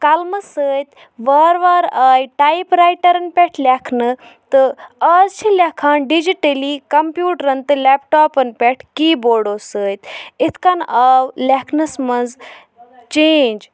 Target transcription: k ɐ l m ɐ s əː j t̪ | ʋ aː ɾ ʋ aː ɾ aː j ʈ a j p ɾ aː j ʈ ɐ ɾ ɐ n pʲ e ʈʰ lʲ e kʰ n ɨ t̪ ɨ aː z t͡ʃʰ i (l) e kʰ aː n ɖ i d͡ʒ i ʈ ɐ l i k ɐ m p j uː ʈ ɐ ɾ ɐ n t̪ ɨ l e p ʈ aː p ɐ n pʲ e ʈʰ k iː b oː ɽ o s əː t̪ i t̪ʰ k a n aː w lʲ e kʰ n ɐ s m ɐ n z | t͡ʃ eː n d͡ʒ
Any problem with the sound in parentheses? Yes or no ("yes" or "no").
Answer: no